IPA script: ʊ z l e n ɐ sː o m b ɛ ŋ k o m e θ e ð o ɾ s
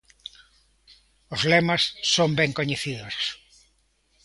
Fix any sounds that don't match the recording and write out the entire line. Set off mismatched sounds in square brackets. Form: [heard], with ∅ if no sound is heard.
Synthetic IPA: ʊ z l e [m] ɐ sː o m b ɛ ŋ k o [ɲ] e θ [i] ð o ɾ s